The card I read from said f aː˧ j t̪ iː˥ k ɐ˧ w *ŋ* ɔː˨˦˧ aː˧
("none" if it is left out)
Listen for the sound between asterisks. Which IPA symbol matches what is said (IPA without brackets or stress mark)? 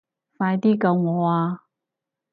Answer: ŋ